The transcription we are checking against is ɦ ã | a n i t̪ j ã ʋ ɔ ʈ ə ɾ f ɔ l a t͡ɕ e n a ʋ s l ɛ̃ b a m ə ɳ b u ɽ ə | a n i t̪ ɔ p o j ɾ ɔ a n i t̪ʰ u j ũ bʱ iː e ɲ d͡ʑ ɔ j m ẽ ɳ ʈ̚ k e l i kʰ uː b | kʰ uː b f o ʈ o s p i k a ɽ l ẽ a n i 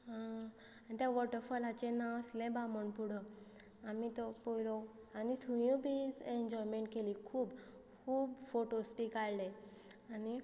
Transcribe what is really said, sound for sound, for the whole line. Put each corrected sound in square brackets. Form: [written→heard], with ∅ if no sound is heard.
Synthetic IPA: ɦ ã | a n i t̪ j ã ʋ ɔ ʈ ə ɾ f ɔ l a t͡ɕ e n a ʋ s l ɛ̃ b a m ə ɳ [b→p] u ɽ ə | a [n→m] i t̪ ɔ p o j [ɾ→l] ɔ a n i t̪ʰ u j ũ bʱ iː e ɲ d͡ʑ ɔ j m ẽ ɳ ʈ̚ k e l i kʰ uː b | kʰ uː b f o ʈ o s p i k a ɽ l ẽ a n i